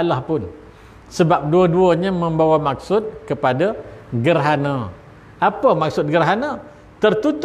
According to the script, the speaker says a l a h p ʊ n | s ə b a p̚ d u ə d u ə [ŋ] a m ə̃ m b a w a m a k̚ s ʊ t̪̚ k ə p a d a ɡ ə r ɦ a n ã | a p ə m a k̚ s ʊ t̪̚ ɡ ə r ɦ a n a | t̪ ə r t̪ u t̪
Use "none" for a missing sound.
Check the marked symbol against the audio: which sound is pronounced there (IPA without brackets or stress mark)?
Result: ɲ